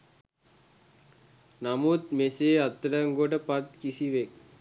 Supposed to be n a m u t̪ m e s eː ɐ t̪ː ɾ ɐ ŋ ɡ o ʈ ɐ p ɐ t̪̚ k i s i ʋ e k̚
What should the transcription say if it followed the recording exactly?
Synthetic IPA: n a m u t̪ m e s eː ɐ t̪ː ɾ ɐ ŋ ɡ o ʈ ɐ p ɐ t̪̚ k i s i ʋ e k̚